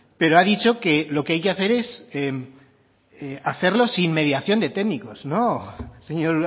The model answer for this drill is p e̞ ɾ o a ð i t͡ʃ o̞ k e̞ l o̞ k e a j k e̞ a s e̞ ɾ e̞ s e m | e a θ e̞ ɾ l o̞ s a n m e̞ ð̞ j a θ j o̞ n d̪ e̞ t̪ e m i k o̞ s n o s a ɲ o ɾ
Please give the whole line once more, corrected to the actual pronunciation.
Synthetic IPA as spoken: p e̞ ɾ o a ð i t͡ʃ o̞ k e̞ l o̞ k e a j k e̞ a θ e̞ ɾ e̞ s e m | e a θ e̞ ɾ l o̞ s i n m e̞ ð̞ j a θ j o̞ n d̪ e̞ t̪ e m i k o̞ s n o s e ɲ o ɾ